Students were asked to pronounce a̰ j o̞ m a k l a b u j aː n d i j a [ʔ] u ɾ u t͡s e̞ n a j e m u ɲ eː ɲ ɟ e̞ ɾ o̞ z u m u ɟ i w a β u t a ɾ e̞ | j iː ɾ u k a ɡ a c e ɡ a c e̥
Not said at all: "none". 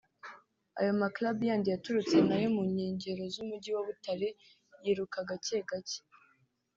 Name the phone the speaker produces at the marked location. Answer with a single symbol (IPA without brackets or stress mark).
t